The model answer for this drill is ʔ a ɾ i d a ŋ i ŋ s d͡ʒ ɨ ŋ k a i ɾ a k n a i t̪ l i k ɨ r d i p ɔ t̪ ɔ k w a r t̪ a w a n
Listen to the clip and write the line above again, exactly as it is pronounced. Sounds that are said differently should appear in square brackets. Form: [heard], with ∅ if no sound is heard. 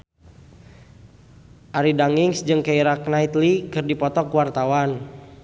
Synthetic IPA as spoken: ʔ a ɾ i d a ŋ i ŋ s d͡ʒ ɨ ŋ k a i ɾ a k n a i t̪ l i k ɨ r d i p ɔ t̪ ɔ k w a r t̪ a w a n

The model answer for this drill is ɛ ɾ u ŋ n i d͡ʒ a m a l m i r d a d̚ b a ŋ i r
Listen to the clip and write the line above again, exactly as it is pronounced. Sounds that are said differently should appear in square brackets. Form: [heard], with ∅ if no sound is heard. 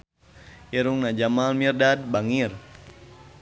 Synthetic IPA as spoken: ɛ ɾ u ŋ n [a] d͡ʒ a m a l m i r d a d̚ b a ŋ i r

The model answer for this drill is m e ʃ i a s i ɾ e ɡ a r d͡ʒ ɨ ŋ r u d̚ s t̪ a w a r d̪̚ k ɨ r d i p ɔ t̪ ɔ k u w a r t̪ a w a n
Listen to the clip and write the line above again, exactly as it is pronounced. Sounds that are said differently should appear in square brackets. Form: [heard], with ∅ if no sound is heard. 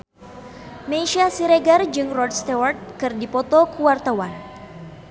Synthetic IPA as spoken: m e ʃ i a s i ɾ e ɡ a r d͡ʒ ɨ ŋ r [ɔ] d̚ s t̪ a w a r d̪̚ k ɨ r d i p ɔ t̪ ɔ k u w a r t̪ a w a n

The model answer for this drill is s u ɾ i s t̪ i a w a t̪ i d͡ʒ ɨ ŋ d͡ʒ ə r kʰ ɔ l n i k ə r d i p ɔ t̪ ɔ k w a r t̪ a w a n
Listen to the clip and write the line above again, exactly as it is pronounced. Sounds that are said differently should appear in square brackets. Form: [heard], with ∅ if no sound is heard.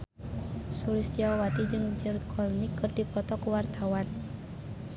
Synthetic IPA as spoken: s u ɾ i s t̪ i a w a t̪ i d͡ʒ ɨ ŋ d͡ʒ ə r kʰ ɔ l n i k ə r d i p ɔ t̪ ɔ k w a r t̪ a w a n

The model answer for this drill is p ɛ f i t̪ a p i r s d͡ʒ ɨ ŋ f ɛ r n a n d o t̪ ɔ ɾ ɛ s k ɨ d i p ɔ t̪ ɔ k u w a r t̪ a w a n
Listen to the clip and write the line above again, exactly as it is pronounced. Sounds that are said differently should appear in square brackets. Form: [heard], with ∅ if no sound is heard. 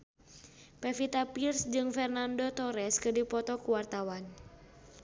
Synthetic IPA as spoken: p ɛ f i t̪ a p i r s d͡ʒ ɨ ŋ f ɛ r n a n d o t̪ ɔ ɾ ɛ s k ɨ d i p ɔ t̪ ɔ k u w a r t̪ a w a n

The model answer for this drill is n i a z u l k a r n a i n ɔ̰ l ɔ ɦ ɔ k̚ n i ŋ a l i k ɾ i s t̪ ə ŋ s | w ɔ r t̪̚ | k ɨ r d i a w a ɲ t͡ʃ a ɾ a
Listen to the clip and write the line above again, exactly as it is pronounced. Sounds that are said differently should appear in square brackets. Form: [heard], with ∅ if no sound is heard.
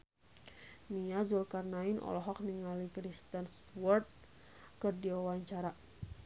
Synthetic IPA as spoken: n i a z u l k a r n a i n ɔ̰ l ɔ ɦ ɔ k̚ n i ŋ a l i k ɾ i s t̪ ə [n] s | w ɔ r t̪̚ | k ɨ r d i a w a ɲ t͡ʃ a ɾ a

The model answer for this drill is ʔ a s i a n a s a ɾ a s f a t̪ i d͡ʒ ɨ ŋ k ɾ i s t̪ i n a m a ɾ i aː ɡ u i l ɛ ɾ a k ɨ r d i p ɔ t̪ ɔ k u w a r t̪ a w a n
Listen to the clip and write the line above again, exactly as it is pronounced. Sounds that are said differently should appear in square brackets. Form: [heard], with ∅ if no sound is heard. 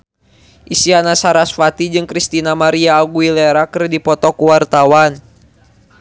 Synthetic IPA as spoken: ʔ [i] s i a n a s a ɾ a s f a t̪ i d͡ʒ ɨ ŋ k ɾ i s t̪ i n a m a ɾ i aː ɡ u i l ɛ ɾ a k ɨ r d i p ɔ t̪ ɔ k u w a r t̪ a w a n

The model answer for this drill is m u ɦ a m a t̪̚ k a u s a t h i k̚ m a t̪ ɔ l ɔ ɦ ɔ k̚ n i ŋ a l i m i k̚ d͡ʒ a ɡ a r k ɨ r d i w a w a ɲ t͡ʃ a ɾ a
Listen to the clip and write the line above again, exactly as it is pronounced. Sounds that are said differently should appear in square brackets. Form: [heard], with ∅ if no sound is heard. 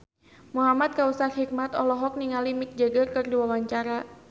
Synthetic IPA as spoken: m u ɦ a m a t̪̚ k a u s a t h i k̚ m a t̪ ɔ l ɔ ɦ ɔ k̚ n i ŋ a l i m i k̚ d͡ʒ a ɡ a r k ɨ r d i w a w a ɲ t͡ʃ a ɾ a

